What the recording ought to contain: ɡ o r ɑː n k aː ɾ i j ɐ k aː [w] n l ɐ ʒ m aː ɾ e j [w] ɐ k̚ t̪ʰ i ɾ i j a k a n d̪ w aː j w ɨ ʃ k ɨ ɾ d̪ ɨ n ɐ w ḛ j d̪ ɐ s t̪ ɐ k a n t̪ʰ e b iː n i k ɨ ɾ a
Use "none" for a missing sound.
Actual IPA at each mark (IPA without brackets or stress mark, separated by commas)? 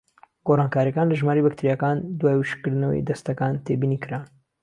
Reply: none, b